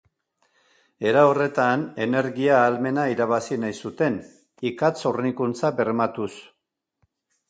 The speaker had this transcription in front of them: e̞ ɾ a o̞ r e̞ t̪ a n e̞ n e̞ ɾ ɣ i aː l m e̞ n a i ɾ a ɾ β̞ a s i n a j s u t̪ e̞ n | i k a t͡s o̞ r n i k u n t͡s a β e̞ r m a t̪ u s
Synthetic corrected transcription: e̞ ɾ a o̞ r e̞ t̪ a n e̞ n e̞ ɾ ɣ i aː l m e̞ n a i ɾ a β̞ a s i n a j s u t̪ e̞ n | i k a t͡s o̞ r n i k u n t͡s a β e̞ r m a t̪ u s